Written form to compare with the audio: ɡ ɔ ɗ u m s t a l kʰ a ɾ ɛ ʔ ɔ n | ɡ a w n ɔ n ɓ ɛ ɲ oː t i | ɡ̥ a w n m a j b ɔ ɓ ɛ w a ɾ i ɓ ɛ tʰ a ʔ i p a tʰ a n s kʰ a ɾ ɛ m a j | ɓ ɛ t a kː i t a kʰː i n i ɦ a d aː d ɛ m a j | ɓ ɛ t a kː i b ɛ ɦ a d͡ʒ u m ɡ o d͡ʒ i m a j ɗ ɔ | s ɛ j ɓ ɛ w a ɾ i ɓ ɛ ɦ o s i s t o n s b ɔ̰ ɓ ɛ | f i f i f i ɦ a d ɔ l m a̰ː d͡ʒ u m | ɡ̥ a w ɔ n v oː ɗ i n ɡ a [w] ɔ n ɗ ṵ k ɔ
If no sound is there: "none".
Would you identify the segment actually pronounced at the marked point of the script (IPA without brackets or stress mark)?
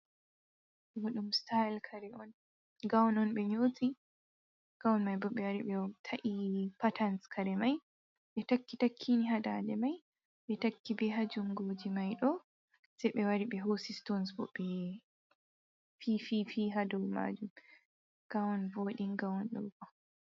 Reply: w